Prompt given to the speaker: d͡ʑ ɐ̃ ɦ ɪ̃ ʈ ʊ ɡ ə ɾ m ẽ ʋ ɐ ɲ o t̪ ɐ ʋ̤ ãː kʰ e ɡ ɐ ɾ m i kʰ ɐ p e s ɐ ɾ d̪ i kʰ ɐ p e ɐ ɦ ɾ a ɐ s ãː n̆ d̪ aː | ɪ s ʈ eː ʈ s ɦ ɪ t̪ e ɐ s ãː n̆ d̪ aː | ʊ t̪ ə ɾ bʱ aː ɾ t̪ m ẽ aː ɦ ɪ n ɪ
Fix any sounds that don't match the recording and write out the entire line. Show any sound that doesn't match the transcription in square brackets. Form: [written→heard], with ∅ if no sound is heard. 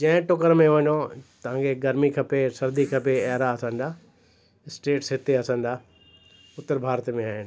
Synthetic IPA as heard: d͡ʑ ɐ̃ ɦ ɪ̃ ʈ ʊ [ɡ→k] ə ɾ m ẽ ʋ ɐ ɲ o t̪ ɐ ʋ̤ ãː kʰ e ɡ ɐ ɾ m i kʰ ɐ p e s ɐ ɾ d̪ i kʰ ɐ p e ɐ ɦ ɾ a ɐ s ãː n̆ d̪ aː | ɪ s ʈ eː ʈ s ɦ ɪ t̪ e ɐ s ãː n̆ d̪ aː | ʊ t̪ ə ɾ bʱ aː ɾ t̪ m ẽ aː ɦ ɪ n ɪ